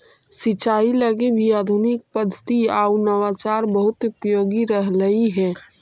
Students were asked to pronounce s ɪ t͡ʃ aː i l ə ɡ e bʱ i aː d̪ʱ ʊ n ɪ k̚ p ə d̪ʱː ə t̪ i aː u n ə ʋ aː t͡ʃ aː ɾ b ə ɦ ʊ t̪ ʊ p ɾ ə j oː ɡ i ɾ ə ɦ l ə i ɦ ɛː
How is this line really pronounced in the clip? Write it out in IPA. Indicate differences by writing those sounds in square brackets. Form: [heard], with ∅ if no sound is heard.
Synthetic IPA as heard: s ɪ t͡ʃ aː i l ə ɡ e bʱ i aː d̪ʱ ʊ n ɪ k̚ p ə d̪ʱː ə t̪ i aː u n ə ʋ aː t͡ʃ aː ɾ b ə ɦ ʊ t̪ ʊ p ɾ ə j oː ɡ i ɾ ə ɦ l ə i ɦ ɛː